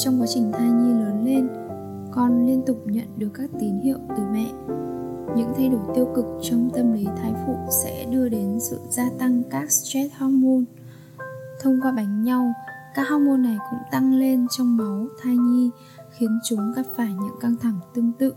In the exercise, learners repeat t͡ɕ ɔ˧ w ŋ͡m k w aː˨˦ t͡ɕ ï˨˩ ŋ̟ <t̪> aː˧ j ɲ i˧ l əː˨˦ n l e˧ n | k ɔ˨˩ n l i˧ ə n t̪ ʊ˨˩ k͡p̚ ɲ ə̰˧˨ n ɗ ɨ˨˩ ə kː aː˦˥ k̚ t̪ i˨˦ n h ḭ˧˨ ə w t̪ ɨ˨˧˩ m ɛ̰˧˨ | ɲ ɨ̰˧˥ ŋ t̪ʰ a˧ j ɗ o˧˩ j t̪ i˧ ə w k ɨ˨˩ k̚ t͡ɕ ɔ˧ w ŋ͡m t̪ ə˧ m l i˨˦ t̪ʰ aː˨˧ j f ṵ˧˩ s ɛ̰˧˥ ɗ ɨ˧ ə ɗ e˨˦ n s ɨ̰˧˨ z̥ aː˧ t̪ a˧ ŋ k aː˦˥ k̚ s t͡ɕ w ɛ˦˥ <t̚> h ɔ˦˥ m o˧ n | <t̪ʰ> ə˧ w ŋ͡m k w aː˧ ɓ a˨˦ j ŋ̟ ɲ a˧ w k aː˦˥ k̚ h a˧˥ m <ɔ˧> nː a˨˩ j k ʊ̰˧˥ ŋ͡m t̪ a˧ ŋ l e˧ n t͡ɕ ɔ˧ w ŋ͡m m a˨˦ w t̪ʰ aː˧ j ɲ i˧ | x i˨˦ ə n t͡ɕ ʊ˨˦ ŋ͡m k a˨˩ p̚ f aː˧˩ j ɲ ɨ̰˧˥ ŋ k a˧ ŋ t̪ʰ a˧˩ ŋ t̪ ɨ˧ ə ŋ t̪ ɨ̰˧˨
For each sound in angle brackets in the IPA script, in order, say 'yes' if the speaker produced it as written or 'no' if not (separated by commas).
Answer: no, yes, yes, no